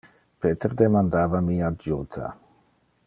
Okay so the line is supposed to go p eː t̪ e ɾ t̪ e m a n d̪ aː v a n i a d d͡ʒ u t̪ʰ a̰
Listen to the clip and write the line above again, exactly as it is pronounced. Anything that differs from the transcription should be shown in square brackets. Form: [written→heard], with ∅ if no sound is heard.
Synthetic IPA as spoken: p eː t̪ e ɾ [t̪→d̪] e m a n d̪ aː v a [n→m] i a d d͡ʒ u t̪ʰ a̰